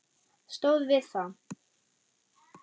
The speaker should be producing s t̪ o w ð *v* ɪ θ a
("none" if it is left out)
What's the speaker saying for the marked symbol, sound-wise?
v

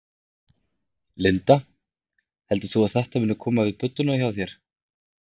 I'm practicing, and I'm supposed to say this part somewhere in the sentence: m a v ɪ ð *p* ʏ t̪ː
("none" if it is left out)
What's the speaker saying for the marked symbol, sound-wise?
p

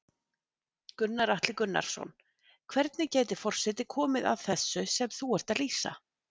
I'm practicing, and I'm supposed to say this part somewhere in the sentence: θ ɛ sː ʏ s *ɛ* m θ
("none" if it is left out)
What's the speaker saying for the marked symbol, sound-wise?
ɛ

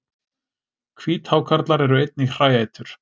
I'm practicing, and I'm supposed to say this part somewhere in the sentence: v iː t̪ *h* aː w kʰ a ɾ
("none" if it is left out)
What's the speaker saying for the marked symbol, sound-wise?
h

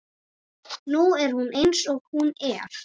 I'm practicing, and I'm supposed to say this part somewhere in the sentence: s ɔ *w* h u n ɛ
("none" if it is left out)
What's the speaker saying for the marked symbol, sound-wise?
ɣ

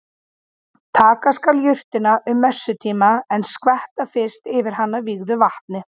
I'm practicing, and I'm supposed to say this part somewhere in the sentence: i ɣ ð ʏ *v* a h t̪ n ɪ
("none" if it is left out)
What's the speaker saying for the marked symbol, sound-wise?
v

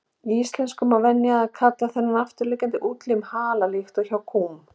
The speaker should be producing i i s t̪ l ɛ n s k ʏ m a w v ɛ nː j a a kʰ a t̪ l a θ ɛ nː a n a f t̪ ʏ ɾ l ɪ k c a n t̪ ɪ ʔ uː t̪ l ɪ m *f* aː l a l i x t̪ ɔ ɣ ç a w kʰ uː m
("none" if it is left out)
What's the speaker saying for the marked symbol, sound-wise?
h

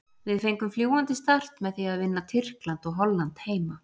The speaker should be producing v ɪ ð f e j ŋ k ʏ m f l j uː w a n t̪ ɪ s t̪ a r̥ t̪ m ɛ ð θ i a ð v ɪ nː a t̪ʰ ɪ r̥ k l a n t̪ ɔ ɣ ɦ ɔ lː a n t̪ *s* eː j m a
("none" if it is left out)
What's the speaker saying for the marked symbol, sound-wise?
h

